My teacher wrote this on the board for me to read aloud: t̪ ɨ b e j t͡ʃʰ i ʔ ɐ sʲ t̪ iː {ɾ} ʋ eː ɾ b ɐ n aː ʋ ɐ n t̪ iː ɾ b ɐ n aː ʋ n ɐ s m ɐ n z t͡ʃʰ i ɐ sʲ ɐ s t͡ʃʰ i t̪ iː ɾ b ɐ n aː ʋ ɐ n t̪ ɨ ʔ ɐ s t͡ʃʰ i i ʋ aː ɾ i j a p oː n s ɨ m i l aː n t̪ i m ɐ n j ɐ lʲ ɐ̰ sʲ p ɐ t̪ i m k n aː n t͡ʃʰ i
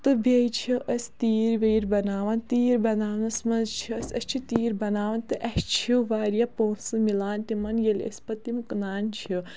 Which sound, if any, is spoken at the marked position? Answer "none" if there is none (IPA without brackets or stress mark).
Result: ɾ